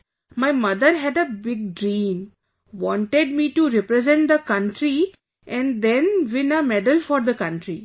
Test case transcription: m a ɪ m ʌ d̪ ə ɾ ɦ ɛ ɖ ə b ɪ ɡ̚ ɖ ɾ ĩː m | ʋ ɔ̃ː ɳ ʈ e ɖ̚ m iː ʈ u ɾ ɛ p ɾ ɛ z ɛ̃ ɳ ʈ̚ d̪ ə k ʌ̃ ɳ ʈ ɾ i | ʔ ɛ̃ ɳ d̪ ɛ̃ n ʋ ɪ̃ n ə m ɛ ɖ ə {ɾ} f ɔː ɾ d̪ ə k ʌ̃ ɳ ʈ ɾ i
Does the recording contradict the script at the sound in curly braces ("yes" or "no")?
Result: yes